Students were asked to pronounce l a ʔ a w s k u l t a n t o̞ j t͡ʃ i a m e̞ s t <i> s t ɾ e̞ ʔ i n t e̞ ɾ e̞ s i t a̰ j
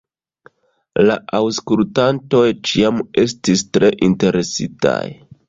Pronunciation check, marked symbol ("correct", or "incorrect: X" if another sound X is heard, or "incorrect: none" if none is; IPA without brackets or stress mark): correct